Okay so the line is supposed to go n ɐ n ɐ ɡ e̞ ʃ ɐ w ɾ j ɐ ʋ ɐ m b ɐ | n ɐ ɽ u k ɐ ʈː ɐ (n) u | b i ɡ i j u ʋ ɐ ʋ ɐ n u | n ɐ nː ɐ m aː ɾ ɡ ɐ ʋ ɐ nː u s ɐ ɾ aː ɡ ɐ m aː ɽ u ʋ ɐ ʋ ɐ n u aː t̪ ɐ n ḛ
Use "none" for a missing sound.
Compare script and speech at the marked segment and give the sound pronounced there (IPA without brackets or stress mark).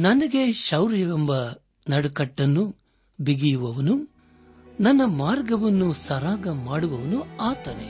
nː